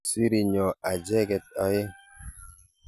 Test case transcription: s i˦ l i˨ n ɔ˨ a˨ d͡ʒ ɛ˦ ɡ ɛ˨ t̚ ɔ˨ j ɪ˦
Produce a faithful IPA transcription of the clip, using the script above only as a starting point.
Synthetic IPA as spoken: s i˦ ɾ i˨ ɲ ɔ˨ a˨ d͡ʒ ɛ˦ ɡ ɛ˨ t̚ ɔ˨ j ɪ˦

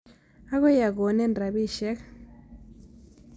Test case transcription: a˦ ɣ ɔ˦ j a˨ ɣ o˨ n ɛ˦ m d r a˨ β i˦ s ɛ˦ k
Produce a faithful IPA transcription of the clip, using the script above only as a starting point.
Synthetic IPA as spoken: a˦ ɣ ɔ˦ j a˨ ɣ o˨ n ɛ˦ n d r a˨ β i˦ ʃ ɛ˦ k

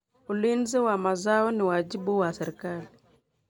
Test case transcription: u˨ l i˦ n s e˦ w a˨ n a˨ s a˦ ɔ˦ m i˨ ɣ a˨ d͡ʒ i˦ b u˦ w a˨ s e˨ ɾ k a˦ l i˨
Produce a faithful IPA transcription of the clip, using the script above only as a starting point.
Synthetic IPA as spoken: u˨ l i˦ n z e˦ w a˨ m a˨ z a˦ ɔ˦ n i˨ w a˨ d͡ʒ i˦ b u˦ w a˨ s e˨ ɾ k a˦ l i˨

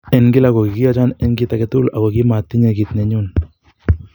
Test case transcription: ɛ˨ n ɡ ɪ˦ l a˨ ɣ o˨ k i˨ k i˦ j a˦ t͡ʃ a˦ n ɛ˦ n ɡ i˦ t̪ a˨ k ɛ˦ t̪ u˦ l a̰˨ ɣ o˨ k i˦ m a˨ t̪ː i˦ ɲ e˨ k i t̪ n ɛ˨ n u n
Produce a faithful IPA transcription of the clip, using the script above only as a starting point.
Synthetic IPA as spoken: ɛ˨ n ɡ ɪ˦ l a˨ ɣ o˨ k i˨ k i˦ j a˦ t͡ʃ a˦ n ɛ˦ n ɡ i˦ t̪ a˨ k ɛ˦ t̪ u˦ l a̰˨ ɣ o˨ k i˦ m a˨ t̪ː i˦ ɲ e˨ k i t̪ n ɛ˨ ɲ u n

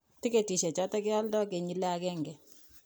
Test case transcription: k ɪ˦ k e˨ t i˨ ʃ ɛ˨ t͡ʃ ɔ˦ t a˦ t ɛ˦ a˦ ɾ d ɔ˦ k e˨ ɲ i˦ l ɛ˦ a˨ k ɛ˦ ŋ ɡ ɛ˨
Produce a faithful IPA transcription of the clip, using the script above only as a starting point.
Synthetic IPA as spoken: t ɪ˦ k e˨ t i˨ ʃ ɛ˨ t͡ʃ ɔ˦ t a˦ k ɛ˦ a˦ l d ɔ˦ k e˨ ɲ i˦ l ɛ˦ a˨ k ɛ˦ ŋ ɡ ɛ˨

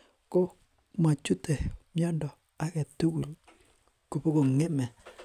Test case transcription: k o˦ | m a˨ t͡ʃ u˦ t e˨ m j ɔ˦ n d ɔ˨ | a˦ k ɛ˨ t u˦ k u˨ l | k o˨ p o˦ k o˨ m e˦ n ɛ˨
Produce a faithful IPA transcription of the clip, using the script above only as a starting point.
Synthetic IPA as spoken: k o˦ | m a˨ t͡ʃ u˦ t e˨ m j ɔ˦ n d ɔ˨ | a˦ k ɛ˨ t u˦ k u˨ l | k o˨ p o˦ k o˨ ŋ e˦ m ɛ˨

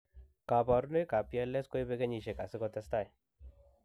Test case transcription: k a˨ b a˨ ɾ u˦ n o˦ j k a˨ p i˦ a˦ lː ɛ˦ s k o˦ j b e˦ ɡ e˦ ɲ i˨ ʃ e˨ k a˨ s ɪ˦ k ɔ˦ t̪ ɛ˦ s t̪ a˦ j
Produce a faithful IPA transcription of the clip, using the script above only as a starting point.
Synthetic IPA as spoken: k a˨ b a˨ ɾ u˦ n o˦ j k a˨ p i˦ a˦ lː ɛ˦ s k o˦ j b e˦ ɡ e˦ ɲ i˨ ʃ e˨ k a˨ s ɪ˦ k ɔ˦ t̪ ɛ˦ s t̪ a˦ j

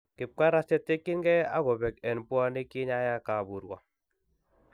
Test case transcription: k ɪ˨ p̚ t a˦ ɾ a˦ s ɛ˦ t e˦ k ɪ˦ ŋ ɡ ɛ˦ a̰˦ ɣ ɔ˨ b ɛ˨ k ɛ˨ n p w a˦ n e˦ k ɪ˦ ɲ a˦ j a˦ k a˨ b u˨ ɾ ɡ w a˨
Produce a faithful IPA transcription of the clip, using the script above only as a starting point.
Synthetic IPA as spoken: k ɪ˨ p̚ k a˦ ɾ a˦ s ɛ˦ t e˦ k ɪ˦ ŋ ɡ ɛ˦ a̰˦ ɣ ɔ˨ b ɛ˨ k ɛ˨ n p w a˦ n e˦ k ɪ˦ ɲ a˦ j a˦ k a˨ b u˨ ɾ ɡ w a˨

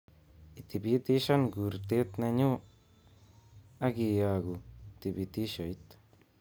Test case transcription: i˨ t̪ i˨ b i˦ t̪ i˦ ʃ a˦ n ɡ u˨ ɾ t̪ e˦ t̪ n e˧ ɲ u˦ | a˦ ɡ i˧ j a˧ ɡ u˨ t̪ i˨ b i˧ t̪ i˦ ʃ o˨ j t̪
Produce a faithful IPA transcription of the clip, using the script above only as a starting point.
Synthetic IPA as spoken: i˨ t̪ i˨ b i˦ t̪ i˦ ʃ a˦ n ɡ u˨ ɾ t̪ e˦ t̪ n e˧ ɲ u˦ | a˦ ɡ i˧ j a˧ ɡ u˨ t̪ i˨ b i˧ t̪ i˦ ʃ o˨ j t̪

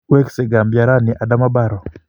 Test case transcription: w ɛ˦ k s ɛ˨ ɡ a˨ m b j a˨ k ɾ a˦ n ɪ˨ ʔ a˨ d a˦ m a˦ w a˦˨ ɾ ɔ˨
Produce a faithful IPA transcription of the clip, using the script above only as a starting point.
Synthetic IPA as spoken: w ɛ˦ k s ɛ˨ ɡ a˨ m b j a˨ ɾ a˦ n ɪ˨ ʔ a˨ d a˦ m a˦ b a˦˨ ɾ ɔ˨

